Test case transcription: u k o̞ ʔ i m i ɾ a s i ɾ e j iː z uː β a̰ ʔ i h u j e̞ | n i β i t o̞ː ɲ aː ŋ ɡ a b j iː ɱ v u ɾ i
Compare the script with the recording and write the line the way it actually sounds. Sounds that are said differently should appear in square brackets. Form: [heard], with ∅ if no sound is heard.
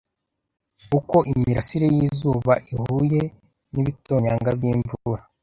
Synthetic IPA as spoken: u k o̞ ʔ i m i ɾ a s i ɾ e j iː z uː β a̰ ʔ i h u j e̞ | n i β i t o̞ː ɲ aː ŋ ɡ a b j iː ɱ v u ɾ [a]